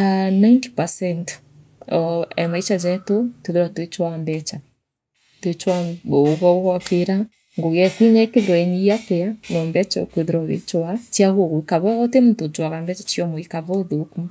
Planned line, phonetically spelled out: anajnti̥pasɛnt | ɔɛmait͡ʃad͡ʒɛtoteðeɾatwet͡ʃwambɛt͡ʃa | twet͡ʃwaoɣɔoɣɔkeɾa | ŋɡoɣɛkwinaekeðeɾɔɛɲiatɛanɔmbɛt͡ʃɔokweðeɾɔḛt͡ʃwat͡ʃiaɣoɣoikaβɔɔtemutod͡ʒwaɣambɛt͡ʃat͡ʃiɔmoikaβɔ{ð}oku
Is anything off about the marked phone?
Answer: no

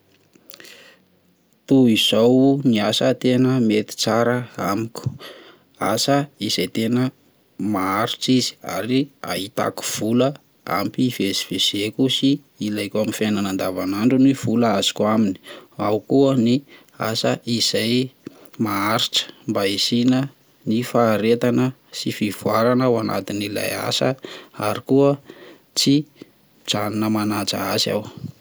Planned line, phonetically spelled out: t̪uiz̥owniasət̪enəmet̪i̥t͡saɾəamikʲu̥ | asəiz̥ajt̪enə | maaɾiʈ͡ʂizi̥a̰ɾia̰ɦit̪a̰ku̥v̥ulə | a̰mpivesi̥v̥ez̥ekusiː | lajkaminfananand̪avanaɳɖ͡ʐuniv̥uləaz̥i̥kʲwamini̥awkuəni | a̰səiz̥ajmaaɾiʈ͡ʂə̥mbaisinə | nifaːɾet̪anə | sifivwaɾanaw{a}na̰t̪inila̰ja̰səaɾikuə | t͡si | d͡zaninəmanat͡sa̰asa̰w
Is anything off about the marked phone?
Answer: no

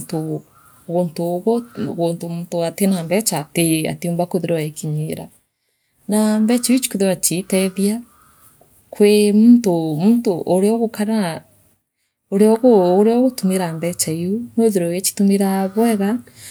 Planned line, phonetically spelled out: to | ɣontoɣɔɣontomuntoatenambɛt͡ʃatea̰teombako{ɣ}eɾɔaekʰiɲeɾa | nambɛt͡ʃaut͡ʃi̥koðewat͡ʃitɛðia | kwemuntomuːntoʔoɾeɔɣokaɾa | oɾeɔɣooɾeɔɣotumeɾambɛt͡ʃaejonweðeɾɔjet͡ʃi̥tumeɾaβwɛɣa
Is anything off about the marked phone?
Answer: yes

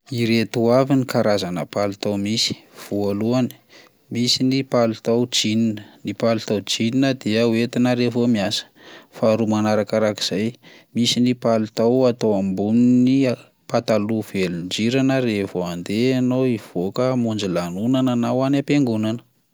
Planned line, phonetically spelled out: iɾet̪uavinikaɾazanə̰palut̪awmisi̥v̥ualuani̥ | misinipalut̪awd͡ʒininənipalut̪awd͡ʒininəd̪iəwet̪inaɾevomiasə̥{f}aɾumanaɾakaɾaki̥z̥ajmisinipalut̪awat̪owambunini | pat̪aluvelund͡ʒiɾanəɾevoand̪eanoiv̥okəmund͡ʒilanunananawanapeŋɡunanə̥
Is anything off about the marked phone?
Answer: no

